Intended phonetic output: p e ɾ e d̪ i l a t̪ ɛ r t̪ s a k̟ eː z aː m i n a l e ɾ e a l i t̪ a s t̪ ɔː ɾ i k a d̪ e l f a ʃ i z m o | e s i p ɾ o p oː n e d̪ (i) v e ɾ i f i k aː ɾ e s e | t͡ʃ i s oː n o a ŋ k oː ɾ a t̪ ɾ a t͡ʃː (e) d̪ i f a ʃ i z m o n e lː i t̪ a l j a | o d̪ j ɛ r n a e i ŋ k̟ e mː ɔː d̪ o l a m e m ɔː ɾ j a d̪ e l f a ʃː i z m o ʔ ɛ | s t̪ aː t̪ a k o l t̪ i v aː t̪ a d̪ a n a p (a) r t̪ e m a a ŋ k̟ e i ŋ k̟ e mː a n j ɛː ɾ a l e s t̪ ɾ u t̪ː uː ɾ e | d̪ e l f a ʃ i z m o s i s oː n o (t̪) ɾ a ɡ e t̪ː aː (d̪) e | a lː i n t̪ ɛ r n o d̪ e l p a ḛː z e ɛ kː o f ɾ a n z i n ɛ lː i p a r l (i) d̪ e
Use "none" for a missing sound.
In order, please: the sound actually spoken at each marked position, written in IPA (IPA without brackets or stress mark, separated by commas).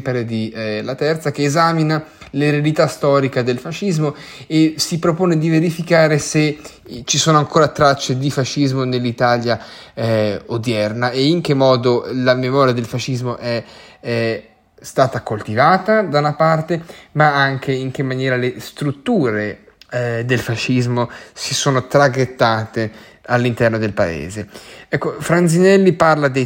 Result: i, e, a, t̪, t̪, a